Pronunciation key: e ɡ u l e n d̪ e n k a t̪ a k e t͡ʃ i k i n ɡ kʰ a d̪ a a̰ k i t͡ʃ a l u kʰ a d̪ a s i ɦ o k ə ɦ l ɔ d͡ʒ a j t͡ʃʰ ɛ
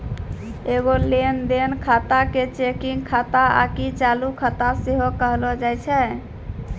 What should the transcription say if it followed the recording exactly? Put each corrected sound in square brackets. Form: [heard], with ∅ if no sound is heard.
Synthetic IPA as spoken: e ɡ [o] l e n d̪ e n [kʰ] a t̪ a k e t͡ʃ [e] k i [ŋ] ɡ kʰ a [t̪] a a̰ k i t͡ʃ a l u kʰ a [t̪] a s [e] ɦ o k ə ɦ l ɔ d͡ʒ a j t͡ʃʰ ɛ